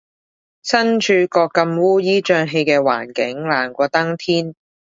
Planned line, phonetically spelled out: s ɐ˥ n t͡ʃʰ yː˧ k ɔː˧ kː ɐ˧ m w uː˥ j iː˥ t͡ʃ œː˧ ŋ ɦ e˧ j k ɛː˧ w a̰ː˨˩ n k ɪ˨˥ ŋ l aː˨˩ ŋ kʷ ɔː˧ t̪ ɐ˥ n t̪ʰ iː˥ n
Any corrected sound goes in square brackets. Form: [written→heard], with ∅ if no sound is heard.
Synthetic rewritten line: s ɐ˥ n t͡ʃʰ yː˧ k ɔː˧ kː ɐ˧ m w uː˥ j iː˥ t͡ʃ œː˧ ŋ ɦ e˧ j k ɛː˧ w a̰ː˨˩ n k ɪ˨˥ ŋ l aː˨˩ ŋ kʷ ɔː˧ t̪ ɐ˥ [n→ŋ] t̪ʰ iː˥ n